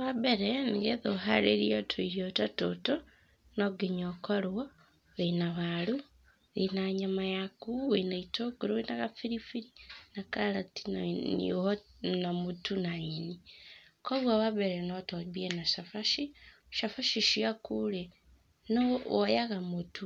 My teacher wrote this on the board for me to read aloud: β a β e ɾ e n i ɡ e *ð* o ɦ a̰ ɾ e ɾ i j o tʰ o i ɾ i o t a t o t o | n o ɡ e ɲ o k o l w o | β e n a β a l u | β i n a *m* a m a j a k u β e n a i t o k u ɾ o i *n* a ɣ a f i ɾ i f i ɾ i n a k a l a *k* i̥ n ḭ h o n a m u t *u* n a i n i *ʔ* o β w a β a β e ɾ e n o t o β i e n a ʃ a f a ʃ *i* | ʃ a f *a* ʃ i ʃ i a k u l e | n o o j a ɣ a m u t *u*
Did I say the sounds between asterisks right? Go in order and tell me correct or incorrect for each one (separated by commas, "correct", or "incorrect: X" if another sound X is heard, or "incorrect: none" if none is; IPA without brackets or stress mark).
correct, incorrect: ɲ, correct, incorrect: t, correct, incorrect: k, correct, correct, correct